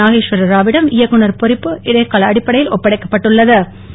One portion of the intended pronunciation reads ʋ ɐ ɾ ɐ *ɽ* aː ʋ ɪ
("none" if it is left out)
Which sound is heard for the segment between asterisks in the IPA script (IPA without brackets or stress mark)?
ɾ